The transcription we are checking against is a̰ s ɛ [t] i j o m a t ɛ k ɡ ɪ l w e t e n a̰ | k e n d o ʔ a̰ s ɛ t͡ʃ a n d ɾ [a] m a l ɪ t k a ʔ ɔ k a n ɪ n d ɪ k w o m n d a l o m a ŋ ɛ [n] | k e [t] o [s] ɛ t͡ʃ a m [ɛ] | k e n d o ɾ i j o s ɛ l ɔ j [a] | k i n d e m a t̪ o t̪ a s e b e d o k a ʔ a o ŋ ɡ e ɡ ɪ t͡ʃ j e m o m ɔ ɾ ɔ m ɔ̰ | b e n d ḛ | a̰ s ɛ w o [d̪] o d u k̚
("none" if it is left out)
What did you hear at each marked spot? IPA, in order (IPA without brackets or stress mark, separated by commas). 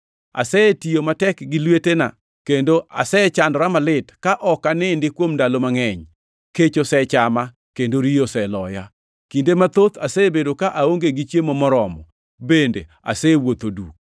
t, a, ɲ, t͡ʃ, s, a, a, t̪